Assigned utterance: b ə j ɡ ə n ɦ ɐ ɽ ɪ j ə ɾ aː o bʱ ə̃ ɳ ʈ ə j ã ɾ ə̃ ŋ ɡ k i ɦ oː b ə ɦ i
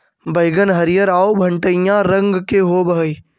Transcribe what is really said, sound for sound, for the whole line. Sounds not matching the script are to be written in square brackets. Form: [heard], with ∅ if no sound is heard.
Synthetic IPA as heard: b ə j ɡ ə n ɦ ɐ [ɾ] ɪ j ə ɾ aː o bʱ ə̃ ɳ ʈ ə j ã ɾ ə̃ ŋ ɡ k [e] ɦ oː b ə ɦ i